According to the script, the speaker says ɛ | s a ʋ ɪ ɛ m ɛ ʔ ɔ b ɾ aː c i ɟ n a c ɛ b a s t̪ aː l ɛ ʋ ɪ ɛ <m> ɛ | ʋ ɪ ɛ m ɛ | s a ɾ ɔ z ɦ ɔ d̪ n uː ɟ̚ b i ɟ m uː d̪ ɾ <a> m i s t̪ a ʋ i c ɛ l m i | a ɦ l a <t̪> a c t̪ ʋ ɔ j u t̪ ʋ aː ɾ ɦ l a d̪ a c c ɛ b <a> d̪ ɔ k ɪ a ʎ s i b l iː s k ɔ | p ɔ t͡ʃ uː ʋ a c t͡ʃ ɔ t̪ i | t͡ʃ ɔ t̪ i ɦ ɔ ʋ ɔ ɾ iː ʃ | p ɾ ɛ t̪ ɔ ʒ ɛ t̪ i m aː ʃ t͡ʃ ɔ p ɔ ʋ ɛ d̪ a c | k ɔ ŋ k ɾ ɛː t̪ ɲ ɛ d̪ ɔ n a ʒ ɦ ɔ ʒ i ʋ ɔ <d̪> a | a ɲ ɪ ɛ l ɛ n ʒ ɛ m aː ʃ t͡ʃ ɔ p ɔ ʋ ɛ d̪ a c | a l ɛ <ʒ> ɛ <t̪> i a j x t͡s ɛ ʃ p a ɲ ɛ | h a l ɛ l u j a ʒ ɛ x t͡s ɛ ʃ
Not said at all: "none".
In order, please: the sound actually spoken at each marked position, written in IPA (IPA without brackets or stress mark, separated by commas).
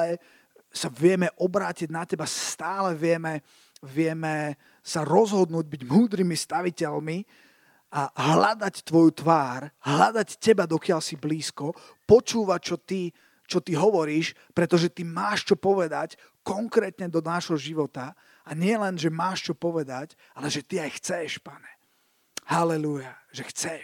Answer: m, i, d̪, a, t̪, ʒ, t̪